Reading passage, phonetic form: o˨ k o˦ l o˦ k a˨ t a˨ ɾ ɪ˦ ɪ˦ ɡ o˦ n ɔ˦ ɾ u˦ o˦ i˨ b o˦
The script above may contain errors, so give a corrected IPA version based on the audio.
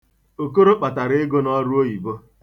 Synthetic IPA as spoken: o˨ k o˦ ɾ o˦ k͡p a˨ t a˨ ɾ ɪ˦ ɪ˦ ɡ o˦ n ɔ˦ ɾ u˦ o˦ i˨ b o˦